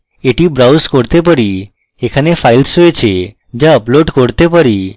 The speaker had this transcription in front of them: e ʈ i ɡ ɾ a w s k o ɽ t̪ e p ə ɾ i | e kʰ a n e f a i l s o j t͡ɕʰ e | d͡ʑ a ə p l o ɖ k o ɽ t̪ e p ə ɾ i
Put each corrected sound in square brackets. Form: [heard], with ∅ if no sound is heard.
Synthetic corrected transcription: e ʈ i [b] ɾ a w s k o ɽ t̪ e p ə ɾ i | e kʰ a n e f a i l s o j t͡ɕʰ e | d͡ʑ a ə p l o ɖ k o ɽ t̪ e p ə ɾ i